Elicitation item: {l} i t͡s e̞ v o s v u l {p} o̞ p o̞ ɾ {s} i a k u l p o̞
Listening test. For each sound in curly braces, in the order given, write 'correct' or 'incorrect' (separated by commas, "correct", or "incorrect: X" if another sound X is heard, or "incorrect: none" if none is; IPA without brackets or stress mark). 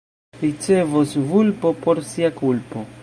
incorrect: ɾ, correct, correct